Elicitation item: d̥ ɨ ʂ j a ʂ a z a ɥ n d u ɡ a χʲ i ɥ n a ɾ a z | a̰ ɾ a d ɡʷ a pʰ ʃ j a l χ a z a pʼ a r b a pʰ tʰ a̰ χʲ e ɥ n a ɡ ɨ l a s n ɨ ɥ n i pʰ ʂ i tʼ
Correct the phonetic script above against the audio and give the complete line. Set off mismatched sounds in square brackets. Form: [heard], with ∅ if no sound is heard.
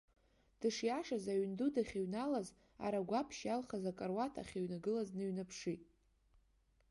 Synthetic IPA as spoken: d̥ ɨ ʂ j a ʂ a z a ɥ n d u [d] a χʲ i ɥ n a [l] a z | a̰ ɾ a [∅] ɡʷ a pʰ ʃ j a l χ a z a [kʼ] a r [w] a [∅] tʰ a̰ χʲ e ɥ n a ɡ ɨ l a [z] n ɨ ɥ n [a] pʰ ʂ i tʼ